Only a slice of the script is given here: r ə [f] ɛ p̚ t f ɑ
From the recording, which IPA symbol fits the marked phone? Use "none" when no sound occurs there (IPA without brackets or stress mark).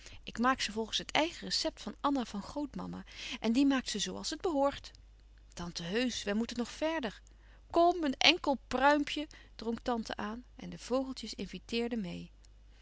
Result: s